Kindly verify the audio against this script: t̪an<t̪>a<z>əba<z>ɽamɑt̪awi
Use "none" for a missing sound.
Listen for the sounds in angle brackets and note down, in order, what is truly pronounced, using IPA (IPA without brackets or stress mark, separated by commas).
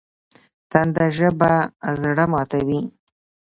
d̪, ʒ, z